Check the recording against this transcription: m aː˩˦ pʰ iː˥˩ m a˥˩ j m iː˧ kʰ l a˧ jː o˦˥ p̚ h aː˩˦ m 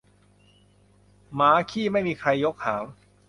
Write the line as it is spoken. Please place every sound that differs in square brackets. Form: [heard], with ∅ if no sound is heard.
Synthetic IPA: m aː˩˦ [kʰ] iː˥˩ m a˥˩ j m iː˧ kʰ [ɾ] a˧ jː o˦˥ [k̚] h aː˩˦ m